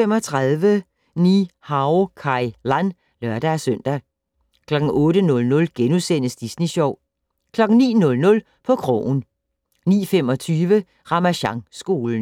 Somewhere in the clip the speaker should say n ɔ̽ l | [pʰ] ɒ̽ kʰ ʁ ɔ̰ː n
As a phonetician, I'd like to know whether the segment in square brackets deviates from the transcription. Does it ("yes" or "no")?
no